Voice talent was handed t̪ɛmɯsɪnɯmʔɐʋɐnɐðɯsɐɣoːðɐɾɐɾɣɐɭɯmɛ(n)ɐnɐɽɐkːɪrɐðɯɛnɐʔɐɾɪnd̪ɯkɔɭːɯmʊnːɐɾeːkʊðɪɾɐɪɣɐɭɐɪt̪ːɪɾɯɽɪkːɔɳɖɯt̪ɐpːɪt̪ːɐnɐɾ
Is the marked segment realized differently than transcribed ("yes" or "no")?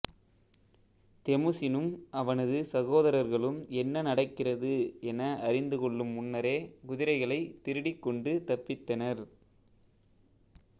yes